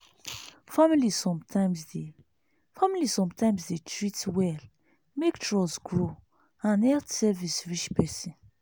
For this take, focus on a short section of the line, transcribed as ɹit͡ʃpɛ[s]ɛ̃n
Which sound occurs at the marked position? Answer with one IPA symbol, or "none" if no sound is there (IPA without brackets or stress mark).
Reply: s